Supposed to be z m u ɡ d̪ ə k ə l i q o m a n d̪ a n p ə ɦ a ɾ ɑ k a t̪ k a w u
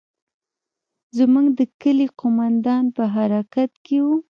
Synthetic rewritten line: z m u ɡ d̪ ə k ə l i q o m a n d̪ ɑ n p ə ɦ a ɾ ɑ k a t̪ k e w u